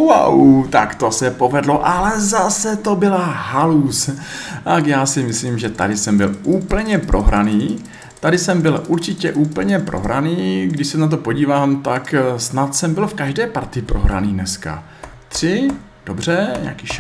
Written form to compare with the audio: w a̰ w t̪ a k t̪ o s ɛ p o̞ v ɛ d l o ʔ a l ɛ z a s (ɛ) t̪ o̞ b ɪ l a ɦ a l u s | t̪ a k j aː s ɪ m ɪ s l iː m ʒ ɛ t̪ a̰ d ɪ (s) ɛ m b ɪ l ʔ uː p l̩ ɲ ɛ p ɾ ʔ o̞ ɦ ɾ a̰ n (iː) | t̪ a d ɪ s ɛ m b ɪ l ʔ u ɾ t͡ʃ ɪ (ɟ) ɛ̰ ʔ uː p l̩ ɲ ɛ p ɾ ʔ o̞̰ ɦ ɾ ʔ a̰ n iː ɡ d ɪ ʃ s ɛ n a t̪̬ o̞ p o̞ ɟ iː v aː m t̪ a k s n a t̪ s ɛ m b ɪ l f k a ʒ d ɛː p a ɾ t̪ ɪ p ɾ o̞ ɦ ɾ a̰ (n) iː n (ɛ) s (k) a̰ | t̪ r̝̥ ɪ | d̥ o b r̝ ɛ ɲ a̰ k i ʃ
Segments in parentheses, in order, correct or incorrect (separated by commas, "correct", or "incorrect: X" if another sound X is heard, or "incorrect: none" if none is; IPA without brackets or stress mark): correct, correct, correct, incorrect: c, correct, correct, correct